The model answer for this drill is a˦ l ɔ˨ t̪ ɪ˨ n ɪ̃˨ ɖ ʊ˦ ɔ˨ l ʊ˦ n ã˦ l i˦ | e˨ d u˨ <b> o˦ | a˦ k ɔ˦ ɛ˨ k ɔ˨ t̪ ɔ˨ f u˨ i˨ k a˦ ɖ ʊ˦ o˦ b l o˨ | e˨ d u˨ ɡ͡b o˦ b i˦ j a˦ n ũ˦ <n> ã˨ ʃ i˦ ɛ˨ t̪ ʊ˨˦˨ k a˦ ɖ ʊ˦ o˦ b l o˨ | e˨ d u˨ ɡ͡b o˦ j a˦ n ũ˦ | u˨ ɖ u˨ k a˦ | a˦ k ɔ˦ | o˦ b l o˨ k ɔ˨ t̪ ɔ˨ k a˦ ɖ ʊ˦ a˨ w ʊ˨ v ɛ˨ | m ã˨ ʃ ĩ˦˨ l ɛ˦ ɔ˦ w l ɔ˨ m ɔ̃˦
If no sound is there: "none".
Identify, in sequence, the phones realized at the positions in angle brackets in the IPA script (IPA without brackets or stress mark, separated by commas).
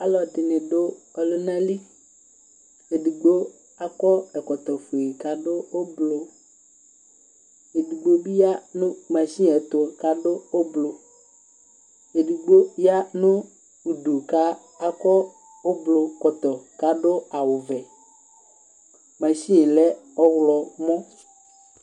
ɡ͡b, m